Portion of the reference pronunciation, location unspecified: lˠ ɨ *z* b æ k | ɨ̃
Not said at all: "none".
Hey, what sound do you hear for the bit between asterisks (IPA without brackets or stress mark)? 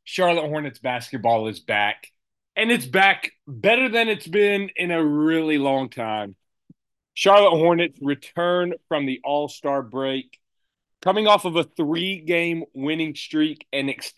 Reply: z